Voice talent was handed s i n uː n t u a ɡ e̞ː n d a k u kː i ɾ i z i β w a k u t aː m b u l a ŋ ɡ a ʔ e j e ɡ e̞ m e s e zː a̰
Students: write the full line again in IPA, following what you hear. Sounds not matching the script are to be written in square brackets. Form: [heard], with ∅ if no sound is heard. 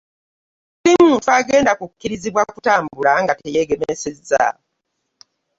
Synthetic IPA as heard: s i [m] uː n t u a ɡ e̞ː n d a k u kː i ɾ i z i β w a k u t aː m b u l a ŋ ɡ a [t] e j e ɡ e̞ m e s e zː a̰